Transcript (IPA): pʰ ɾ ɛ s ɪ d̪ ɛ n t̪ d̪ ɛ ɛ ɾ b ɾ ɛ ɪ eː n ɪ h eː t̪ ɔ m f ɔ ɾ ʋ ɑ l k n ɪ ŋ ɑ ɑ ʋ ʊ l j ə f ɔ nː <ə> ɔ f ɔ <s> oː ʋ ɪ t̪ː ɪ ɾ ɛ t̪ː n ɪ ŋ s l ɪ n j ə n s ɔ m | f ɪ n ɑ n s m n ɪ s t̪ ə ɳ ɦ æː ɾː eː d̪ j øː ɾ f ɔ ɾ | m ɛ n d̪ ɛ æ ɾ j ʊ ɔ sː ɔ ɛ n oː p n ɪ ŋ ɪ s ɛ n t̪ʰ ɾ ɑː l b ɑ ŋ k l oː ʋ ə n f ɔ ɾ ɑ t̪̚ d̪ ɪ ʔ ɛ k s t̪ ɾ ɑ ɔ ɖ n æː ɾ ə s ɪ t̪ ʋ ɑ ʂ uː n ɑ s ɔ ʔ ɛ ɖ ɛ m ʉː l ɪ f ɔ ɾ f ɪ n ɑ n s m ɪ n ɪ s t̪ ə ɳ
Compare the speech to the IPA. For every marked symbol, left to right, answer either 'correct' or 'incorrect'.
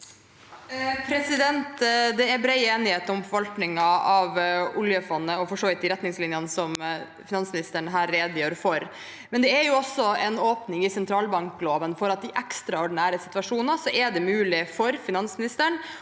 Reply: correct, incorrect: ʂ

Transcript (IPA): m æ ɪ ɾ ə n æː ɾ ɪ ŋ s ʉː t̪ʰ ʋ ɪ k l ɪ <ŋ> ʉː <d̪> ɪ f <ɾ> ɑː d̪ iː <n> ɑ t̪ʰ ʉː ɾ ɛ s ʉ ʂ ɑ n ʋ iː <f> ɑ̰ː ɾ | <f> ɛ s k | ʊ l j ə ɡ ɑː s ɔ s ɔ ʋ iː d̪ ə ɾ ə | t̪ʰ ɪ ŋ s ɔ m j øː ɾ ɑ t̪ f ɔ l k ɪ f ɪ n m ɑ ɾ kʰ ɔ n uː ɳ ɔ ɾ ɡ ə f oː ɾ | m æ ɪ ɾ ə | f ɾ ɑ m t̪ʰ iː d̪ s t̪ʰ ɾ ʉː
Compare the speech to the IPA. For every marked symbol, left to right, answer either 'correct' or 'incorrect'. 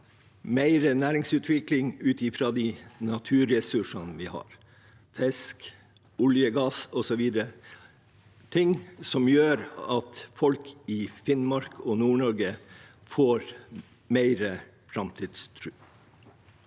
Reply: correct, incorrect: t̪, correct, correct, incorrect: h, correct

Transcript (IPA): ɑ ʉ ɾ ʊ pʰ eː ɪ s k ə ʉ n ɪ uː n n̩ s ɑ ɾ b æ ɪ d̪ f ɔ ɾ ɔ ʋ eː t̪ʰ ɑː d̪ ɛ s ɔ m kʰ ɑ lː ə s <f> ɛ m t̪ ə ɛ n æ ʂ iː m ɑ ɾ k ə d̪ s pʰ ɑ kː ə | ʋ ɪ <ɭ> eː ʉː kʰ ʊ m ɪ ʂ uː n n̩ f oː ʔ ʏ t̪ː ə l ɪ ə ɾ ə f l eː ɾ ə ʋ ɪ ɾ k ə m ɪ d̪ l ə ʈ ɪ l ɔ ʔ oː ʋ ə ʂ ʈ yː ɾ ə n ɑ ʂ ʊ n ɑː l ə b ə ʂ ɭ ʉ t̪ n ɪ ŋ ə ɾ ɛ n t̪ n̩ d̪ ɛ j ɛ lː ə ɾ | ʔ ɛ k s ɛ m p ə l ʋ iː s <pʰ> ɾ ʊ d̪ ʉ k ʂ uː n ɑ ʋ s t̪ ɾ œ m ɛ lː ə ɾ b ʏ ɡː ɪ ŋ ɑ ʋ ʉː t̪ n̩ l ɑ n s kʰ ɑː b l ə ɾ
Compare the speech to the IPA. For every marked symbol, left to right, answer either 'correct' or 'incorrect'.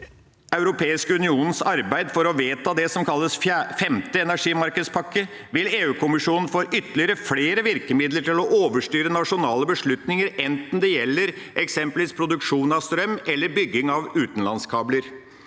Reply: correct, incorrect: l, correct

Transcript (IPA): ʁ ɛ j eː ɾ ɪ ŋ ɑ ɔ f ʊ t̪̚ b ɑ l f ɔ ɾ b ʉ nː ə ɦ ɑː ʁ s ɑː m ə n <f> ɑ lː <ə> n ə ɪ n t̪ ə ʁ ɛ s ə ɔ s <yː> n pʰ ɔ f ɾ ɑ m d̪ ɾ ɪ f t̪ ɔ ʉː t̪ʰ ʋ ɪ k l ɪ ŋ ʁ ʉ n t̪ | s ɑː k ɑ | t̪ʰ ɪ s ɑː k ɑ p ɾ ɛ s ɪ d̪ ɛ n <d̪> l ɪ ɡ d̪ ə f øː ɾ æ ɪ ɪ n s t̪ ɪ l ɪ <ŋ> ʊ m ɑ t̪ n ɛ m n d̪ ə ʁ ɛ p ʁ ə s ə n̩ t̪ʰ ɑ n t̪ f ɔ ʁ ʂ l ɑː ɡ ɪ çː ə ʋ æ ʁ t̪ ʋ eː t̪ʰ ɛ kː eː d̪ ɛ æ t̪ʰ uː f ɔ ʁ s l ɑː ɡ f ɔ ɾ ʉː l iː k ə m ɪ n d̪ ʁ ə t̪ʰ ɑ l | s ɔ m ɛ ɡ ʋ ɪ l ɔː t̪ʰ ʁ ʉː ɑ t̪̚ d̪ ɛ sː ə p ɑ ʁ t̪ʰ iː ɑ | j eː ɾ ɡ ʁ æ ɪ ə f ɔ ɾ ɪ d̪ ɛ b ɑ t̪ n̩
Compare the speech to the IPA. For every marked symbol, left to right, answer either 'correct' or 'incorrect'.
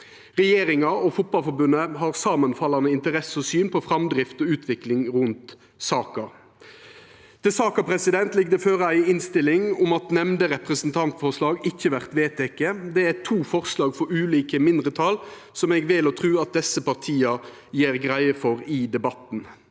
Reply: correct, incorrect: ɑ, correct, incorrect: t̪, correct

